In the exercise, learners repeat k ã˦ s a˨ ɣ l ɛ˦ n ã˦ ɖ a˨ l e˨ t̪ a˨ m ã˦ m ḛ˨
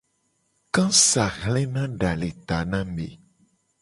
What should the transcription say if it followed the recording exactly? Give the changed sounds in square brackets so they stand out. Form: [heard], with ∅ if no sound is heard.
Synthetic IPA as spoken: k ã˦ s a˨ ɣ l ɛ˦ n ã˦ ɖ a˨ l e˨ t̪ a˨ [n] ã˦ m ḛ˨